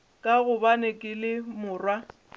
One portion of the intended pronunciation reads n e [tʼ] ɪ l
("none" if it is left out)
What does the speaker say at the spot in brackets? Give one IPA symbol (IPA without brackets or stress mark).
kʼ